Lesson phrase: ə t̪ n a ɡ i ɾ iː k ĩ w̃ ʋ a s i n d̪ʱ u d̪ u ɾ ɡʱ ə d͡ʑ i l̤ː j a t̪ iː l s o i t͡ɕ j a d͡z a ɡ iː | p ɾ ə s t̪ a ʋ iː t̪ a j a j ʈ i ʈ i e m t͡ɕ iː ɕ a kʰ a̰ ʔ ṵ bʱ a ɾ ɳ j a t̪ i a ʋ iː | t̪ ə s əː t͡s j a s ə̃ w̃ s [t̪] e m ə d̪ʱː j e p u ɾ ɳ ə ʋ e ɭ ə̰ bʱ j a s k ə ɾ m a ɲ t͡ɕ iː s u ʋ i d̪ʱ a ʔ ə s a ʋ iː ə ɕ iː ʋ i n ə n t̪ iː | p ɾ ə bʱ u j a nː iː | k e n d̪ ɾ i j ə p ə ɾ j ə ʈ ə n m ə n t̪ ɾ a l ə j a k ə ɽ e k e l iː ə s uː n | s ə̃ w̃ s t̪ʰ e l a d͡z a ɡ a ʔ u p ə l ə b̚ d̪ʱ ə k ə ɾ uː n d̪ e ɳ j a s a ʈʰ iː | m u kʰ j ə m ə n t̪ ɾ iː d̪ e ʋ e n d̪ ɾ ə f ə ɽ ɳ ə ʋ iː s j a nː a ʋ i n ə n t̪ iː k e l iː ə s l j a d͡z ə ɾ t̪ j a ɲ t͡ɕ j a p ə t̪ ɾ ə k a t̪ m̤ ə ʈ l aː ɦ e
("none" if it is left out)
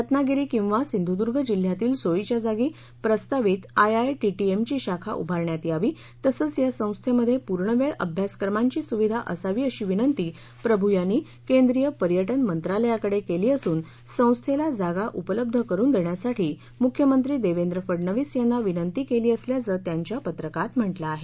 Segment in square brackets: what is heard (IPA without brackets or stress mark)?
t̪ʰ